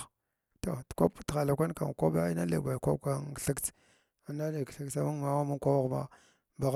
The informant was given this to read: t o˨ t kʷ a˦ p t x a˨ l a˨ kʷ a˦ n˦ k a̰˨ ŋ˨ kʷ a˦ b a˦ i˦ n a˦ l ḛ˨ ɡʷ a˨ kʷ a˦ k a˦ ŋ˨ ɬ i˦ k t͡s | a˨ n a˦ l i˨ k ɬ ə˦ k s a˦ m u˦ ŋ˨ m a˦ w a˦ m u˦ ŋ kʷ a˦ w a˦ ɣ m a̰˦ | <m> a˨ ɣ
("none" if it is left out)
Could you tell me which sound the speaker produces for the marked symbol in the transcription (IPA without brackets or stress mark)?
b